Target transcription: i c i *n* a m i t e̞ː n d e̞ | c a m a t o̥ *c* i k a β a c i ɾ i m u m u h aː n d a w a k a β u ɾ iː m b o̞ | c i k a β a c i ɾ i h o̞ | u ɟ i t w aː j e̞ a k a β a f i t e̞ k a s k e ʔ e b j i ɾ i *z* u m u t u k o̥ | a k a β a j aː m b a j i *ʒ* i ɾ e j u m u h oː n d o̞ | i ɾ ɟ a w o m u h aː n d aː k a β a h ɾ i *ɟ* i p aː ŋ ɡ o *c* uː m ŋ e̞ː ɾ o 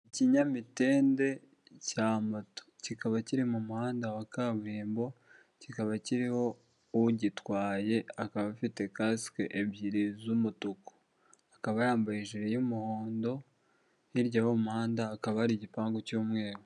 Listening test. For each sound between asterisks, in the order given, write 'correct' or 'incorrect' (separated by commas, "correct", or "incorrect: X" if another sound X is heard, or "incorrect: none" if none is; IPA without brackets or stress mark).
incorrect: ɲ, correct, correct, correct, correct, correct